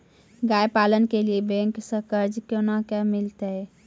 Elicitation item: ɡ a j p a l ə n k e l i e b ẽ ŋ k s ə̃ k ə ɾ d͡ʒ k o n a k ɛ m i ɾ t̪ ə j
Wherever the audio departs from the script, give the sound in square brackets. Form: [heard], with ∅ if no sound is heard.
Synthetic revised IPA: ɡ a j p a l ə n k e l i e b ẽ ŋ k s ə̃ k ə ɾ d͡ʒ k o n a k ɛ m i [l] t̪ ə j